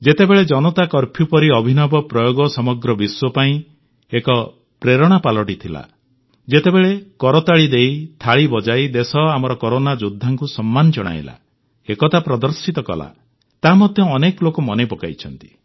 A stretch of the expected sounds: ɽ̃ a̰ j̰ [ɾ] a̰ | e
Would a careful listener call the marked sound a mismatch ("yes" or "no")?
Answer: yes